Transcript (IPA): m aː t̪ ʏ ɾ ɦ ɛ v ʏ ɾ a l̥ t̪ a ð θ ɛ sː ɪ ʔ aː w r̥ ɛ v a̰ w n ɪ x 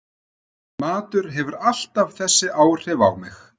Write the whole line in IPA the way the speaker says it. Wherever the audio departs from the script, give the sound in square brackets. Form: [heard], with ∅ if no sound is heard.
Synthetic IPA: m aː t̪ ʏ ɾ ɦ ɛ v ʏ ɾ a l̥ t̪ a [v] θ ɛ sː ɪ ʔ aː w r̥ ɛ v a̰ w [m] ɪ x

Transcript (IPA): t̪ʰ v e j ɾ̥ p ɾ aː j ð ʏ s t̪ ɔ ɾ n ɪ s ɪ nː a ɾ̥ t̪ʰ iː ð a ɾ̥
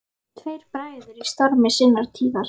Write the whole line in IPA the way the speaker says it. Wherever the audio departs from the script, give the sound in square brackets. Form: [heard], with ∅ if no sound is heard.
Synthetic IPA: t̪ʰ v e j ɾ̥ p ɾ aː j ð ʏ s t̪ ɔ ɾ [m] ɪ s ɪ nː a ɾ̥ t̪ʰ iː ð a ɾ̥

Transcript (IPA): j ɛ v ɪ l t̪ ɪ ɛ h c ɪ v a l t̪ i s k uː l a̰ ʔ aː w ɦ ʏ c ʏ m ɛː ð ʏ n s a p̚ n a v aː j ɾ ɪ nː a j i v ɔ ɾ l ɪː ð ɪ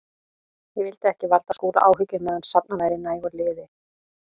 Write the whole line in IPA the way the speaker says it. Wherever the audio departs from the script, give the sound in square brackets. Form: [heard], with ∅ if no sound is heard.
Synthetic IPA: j ɛ v ɪ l t̪ ɪ ɛ h c ɪ v a l t̪ [a] s k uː l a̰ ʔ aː w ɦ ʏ c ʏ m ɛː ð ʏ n s a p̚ n a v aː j ɾ ɪ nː a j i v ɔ ɾ l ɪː ð ɪ

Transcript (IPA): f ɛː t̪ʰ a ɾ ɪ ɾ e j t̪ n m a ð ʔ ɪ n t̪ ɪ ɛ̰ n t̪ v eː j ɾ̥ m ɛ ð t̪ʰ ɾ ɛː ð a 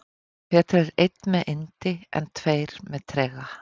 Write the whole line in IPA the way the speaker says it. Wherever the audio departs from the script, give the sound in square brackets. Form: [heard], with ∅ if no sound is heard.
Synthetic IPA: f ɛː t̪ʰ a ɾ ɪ ɾ e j t̪ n m [ɛ] ð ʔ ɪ n t̪ ɪ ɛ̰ n [t̪ʰ] v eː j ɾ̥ m ɛ ð t̪ʰ ɾ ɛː [ɣ] a

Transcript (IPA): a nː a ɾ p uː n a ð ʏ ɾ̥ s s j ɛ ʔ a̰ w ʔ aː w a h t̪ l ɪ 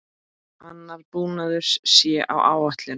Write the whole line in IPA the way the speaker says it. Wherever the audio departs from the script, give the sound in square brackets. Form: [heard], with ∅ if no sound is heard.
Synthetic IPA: a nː a ɾ p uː n a ð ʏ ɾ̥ s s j ɛ ʔ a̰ w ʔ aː w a h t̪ l ɪ

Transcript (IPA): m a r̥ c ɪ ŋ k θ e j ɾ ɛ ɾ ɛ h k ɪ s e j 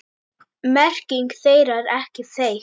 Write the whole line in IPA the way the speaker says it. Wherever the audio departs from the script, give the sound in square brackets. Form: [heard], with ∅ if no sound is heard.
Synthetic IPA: m [ɛ] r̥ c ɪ ŋ k θ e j ɾ [a] ɾ ɛ h [c] ɪ [θ] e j

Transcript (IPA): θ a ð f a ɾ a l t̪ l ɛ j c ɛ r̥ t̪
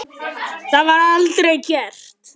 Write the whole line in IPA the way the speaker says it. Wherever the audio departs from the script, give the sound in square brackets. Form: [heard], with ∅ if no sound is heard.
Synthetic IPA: θ a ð [v] a ɾ a l t̪ [ɾ] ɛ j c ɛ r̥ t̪

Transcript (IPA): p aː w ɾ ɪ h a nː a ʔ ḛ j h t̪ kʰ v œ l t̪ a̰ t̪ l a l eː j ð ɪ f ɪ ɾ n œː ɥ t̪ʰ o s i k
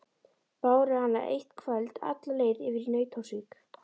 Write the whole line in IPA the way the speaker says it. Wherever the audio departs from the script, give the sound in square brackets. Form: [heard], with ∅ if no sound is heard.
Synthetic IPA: p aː w ɾ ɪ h a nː a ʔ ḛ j h t̪ kʰ v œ l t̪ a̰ t̪ l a l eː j ð ɪ [v] ɪ ɾ n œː ɥ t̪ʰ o s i k

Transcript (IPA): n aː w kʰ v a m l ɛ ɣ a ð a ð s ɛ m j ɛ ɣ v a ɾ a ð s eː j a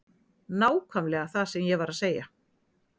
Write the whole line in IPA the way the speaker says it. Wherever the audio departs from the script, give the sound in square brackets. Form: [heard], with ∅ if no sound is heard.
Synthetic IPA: n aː w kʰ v a m l ɛ ɣ a [θ] a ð s ɛ m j ɛ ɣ v a ɾ a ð s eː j a

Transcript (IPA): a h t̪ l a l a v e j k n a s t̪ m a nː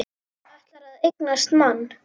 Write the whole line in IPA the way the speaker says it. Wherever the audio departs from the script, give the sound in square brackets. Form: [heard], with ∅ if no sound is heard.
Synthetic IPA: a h t̪ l a [ɾ] a [ð] e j k n a s t̪ m a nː

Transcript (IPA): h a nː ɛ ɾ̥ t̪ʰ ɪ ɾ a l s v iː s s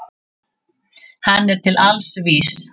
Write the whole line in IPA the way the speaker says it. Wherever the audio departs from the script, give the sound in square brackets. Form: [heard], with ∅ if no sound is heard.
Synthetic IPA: h a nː ɛ ɾ̥ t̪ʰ ɪ [l] a l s v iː s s

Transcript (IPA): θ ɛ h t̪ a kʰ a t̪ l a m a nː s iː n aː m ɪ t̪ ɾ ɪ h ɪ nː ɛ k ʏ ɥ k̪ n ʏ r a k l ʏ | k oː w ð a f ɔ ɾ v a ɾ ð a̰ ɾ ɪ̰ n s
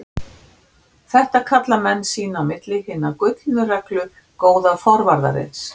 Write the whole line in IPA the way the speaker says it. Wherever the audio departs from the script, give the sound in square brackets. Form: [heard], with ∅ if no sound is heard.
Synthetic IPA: θ ɛ h t̪ a kʰ a t̪ l a m [ɛ] nː s iː n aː m ɪ t̪ [l] ɪ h ɪ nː [a] k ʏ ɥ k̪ n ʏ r [ɛ] k l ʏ | k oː w ð a f ɔ ɾ v a ɾ ð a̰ ɾ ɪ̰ n s

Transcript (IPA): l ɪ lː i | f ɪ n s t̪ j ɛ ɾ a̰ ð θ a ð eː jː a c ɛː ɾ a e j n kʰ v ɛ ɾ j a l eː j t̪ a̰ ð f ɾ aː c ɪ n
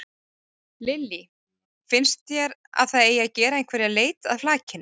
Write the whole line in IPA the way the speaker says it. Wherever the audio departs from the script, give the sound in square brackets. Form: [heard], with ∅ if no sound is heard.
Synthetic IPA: l ɪ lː i | f ɪ n s t̪ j ɛ ɾ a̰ ð θ a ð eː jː a c ɛː ɾ a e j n kʰ v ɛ ɾ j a l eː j t̪ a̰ ð f [l] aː c ɪ n

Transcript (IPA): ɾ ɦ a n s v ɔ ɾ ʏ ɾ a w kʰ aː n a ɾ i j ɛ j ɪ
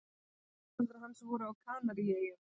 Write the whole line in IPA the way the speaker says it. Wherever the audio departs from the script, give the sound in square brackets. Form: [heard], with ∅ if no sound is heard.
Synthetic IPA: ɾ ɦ a n s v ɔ ɾ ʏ [∅] a w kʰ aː n a ɾ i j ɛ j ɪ

